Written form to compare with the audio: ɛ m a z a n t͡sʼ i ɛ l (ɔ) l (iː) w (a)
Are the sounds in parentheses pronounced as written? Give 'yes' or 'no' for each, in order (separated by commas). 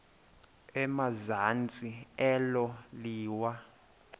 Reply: yes, yes, yes